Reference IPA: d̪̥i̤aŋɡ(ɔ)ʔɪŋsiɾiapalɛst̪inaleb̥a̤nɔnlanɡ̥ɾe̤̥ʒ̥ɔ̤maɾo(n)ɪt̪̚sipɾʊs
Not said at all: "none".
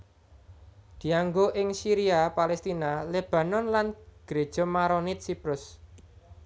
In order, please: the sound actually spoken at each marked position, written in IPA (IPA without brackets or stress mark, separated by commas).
o, n